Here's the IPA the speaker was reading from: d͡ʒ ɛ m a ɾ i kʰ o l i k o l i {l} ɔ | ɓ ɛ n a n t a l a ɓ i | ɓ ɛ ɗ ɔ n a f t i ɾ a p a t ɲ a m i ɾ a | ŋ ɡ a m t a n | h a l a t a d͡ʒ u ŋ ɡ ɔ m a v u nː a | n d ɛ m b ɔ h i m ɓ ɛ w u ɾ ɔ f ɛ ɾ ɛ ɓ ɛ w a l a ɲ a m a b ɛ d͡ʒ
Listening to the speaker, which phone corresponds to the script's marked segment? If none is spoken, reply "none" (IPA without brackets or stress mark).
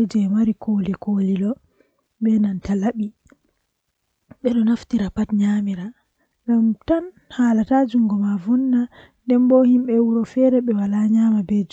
l